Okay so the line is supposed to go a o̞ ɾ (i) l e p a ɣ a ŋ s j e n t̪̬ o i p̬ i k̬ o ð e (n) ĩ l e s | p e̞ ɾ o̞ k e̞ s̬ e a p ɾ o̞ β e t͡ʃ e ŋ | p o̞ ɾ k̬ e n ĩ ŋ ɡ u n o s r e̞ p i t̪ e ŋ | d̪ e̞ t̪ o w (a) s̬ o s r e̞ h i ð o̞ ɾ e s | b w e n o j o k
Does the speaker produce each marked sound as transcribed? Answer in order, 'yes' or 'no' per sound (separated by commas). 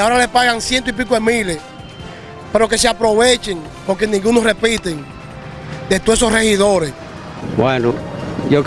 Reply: no, no, no